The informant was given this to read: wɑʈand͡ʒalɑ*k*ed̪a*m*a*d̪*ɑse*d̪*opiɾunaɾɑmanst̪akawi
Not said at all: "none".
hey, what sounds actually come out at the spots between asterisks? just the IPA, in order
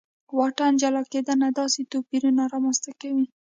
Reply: k, n, d̪, t̪

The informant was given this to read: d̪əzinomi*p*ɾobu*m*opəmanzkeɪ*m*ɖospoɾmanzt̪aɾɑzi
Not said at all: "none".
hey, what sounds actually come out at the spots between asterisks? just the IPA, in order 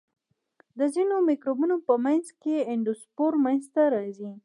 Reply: k, n, ɳ

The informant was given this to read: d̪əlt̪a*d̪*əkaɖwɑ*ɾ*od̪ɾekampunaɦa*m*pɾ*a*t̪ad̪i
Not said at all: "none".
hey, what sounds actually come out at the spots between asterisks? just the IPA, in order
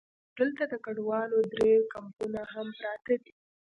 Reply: d̪, l, m, ɑ

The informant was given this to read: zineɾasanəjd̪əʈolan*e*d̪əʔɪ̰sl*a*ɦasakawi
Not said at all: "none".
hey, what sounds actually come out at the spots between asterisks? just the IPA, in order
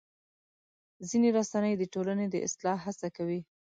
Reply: e, ɑ

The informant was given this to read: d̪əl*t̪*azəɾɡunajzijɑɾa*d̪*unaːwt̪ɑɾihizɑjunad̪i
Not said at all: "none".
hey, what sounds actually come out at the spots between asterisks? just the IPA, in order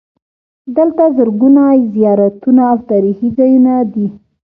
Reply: t̪, t̪

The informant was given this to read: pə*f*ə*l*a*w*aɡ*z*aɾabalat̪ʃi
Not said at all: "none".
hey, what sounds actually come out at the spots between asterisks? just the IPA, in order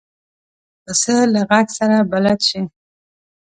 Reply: s, l, ɣ, s

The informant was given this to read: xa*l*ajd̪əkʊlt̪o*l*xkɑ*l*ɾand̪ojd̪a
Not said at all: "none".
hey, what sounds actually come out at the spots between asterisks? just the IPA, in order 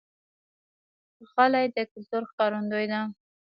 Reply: l, ɾ, none

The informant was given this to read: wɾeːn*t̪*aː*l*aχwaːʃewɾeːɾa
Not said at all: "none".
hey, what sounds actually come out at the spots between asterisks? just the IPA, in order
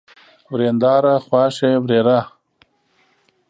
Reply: d̪, ɾ

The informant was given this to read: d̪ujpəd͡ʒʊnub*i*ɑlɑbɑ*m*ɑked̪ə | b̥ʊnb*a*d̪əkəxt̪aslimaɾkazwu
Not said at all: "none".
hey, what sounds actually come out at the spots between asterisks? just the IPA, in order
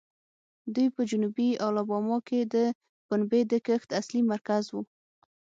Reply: i, m, e

